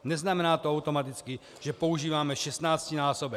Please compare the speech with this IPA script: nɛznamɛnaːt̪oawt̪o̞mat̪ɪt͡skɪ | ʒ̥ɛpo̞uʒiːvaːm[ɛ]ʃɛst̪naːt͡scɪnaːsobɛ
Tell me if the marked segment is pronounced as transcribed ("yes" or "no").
yes